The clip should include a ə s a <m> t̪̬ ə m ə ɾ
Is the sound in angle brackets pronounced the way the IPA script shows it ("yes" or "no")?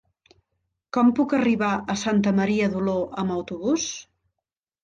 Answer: no